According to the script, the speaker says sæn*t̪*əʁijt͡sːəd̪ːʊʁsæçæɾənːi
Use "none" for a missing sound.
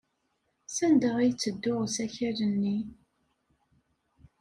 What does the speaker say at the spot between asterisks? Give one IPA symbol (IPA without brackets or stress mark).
d̪